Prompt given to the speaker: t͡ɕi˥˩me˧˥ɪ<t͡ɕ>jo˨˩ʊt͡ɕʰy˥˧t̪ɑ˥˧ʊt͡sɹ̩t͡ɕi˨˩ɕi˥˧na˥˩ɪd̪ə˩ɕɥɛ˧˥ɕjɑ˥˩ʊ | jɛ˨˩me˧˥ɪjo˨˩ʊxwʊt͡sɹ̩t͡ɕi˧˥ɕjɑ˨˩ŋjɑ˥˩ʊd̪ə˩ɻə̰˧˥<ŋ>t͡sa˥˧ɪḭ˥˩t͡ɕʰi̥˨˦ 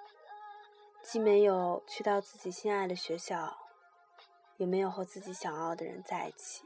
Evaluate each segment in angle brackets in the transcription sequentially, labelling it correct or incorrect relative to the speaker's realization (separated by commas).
incorrect, incorrect